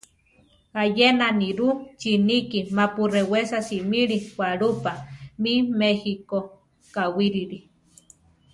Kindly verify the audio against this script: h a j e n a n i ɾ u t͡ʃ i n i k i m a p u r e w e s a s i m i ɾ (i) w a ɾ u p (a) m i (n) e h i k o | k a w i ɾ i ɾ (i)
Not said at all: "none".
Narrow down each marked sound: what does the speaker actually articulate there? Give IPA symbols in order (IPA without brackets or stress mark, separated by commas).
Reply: i, a, m, i